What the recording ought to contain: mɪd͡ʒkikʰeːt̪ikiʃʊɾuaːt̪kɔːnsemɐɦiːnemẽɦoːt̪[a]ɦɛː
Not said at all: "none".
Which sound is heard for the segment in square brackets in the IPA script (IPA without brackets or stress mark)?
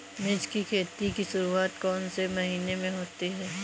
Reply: i